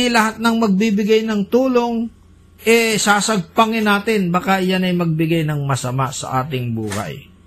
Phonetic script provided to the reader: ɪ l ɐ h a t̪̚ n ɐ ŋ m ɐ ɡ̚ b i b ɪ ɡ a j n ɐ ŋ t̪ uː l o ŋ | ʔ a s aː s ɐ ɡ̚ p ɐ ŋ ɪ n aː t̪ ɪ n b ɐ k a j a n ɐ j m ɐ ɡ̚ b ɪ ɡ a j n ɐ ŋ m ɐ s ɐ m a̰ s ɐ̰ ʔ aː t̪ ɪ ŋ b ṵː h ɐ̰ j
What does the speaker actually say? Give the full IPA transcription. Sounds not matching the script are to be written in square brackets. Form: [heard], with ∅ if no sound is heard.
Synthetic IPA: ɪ l ɐ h a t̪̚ n ɐ ŋ m ɐ ɡ̚ b i b ɪ ɡ a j n ɐ ŋ t̪ uː l o ŋ | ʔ [ɛ] s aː s ɐ ɡ̚ p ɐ ŋ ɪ n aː t̪ ɪ n b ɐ k a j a n ɐ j m ɐ ɡ̚ b ɪ ɡ a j n ɐ ŋ m ɐ s ɐ m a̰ s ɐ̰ ʔ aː t̪ ɪ ŋ b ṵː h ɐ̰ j